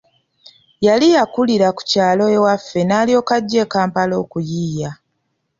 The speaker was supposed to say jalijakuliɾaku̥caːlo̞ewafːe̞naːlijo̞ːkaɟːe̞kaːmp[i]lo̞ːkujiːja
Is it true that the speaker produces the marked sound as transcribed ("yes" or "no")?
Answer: no